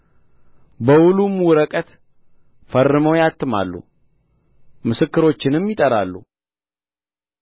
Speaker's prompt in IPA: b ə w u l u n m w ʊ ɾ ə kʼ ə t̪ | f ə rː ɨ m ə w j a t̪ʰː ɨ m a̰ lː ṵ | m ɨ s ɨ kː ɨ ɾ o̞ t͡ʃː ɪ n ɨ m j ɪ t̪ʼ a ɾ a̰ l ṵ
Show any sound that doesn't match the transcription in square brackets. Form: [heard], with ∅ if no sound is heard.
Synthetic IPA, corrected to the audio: b ə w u l u [∅] m w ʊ ɾ ə kʼ ə t̪ | f ə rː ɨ m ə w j a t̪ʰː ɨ m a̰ lː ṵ | m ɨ s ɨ kː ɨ ɾ o̞ t͡ʃː ɪ n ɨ m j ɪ t̪ʼ [ə] ɾ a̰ [lː] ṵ